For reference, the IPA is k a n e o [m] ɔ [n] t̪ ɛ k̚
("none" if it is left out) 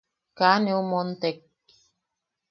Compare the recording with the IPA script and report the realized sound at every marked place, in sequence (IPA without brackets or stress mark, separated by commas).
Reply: m, n